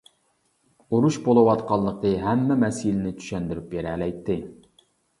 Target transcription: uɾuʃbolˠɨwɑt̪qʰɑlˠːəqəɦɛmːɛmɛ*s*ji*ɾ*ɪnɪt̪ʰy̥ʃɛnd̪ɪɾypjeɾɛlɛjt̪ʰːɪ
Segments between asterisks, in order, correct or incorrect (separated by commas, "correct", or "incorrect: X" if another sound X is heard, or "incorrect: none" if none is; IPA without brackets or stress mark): correct, incorrect: l